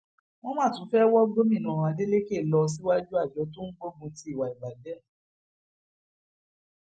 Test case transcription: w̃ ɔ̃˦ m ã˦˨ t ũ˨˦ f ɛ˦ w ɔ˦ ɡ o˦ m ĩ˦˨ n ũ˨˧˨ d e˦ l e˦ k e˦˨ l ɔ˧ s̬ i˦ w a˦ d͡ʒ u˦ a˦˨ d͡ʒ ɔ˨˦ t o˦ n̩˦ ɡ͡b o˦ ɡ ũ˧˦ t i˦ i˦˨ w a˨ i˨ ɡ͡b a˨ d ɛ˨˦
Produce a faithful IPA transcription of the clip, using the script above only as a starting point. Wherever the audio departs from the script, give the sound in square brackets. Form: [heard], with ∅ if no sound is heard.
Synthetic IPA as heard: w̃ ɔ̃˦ m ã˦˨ t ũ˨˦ f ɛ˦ w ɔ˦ ɡ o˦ m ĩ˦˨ n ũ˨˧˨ d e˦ l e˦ k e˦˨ l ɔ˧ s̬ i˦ w a˦ d͡ʒ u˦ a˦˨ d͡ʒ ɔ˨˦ t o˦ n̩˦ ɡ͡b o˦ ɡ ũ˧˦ t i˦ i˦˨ w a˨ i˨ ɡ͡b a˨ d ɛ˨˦